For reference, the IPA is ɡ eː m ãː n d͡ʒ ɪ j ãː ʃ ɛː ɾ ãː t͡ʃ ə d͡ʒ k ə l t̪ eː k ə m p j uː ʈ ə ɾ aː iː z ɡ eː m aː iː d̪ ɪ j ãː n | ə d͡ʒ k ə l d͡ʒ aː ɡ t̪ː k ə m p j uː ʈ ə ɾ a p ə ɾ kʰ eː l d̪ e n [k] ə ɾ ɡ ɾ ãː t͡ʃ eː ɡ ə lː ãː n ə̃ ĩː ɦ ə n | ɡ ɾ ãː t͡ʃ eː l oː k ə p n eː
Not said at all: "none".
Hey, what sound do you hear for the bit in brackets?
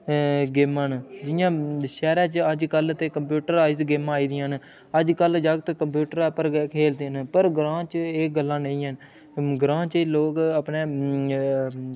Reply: p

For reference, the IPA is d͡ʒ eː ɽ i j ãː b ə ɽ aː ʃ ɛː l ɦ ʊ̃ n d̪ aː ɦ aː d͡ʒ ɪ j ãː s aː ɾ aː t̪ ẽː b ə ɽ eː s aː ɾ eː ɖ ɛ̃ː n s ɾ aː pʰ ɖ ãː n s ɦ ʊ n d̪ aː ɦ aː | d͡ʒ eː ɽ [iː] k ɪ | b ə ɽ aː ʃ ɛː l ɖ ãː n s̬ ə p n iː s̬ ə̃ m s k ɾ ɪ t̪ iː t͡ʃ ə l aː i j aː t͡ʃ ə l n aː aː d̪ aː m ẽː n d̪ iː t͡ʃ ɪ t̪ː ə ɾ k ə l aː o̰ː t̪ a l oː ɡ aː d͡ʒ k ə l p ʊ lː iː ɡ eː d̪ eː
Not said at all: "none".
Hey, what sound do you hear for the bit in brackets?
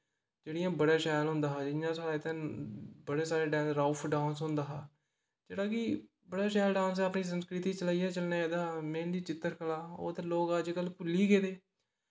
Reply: aː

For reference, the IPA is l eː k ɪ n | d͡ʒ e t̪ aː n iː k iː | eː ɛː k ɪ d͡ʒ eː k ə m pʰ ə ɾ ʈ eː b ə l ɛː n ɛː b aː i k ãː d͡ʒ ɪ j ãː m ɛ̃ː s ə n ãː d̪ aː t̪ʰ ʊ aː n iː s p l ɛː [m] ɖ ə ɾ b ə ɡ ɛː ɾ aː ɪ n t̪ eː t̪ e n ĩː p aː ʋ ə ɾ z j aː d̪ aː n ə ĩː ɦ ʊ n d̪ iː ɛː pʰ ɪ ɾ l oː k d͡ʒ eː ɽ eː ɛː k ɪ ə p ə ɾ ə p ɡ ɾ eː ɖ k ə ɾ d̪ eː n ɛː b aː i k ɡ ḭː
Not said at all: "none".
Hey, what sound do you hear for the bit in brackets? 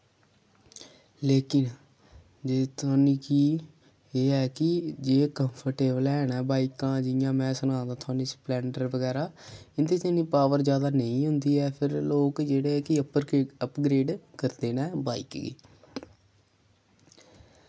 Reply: ɳ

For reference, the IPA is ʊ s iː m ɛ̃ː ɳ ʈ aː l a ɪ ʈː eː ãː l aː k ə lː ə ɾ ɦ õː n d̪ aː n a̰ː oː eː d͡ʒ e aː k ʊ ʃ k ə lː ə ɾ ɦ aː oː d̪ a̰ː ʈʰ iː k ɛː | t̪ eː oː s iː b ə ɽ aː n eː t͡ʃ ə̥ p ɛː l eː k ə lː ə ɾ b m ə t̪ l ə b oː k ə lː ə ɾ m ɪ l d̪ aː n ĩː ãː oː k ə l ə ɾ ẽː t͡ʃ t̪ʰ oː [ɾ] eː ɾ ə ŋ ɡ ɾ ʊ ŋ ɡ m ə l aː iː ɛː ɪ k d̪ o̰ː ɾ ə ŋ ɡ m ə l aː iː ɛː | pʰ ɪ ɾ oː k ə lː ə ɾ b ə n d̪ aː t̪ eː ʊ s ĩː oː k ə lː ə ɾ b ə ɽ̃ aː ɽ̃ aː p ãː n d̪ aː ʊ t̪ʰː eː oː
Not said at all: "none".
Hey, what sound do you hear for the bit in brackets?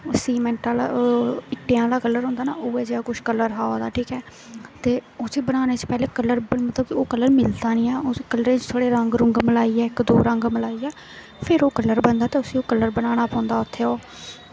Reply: ɽ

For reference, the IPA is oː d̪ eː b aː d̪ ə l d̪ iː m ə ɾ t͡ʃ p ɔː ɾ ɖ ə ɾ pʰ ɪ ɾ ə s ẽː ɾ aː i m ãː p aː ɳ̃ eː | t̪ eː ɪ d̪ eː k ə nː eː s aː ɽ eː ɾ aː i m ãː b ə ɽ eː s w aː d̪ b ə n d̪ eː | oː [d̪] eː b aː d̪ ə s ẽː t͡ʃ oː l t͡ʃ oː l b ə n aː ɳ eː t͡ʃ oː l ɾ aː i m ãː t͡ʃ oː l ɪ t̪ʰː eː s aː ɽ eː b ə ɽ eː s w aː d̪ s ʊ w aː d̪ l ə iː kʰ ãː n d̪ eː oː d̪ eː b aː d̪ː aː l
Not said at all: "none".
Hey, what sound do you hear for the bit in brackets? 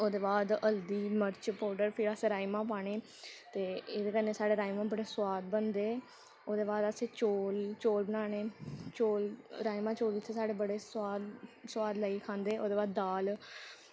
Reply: d̪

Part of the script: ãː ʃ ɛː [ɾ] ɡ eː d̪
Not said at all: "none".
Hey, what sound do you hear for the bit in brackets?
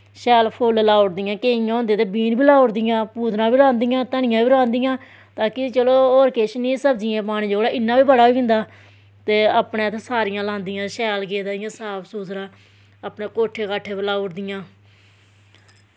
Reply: l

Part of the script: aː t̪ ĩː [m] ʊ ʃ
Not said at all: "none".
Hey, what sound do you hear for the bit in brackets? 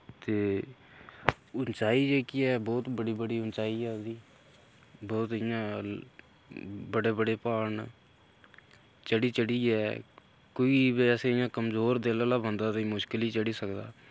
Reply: m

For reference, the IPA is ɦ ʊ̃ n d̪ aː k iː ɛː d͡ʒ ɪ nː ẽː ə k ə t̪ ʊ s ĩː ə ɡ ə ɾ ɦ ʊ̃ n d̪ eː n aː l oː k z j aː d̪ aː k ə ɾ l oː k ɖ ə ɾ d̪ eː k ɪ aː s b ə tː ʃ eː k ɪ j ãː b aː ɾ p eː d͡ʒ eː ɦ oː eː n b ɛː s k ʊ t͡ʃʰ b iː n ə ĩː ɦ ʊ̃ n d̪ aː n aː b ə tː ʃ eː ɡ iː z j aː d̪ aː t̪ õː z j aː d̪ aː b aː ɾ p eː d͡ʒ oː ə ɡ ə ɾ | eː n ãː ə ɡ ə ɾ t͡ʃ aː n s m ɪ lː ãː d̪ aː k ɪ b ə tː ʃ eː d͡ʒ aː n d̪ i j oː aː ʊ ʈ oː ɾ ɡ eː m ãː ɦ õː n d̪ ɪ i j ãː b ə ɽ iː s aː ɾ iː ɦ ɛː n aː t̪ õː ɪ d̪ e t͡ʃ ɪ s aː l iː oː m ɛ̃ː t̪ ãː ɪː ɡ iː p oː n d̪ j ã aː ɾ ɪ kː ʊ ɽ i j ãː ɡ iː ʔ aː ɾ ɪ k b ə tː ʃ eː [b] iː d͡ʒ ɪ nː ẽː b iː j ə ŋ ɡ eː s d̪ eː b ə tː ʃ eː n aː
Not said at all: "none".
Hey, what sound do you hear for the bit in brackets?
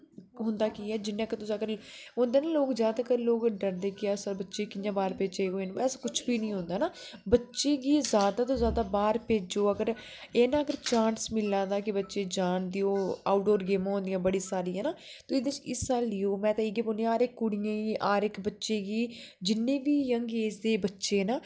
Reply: ɡ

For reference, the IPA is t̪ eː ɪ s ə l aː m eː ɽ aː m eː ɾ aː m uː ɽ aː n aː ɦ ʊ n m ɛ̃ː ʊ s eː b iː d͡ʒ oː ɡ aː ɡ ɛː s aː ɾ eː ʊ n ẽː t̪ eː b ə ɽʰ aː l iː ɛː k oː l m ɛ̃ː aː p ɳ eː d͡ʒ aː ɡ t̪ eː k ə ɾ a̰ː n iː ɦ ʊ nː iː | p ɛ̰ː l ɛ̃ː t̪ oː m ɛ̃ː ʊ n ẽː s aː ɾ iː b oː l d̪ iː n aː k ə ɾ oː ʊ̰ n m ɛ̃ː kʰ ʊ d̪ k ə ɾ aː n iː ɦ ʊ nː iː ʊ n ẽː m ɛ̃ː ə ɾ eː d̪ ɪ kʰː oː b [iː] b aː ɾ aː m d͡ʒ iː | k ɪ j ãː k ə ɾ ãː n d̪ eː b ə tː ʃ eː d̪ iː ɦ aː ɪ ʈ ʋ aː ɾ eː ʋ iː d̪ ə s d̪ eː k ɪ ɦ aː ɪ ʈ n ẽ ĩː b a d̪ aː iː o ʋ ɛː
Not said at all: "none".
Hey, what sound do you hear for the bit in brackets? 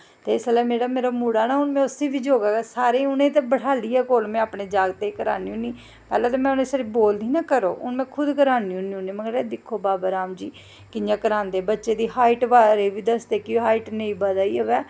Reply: aː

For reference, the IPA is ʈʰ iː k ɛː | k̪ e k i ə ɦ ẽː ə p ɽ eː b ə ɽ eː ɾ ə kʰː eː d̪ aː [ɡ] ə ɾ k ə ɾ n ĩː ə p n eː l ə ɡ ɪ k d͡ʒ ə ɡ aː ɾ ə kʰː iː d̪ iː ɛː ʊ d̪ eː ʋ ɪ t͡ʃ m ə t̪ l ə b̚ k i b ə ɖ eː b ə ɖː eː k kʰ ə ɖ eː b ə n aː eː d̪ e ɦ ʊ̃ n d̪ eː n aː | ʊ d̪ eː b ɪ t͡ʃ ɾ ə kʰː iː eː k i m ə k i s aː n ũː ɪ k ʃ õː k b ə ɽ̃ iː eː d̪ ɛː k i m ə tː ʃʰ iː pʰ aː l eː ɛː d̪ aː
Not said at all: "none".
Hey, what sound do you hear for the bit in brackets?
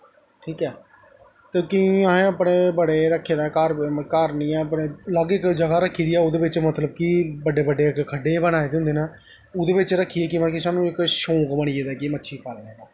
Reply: k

